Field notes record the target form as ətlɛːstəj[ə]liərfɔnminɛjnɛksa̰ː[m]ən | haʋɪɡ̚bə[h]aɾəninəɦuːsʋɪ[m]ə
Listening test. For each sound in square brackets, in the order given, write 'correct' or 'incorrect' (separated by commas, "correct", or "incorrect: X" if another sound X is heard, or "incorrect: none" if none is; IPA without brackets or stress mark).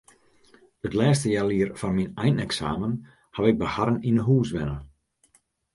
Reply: incorrect: a, correct, correct, incorrect: n